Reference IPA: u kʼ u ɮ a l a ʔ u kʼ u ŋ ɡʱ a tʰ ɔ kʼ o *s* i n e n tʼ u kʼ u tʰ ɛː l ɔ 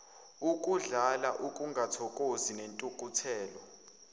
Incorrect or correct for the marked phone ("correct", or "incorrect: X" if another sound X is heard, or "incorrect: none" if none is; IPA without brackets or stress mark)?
incorrect: z